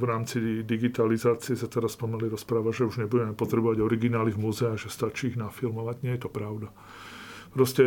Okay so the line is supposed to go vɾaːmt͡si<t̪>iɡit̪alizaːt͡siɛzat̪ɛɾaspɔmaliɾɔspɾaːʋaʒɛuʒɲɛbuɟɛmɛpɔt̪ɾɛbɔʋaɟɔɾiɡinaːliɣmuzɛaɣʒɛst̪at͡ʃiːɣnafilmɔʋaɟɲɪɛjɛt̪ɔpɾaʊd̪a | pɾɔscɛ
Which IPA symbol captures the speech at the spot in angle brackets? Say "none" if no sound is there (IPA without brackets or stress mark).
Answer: d̪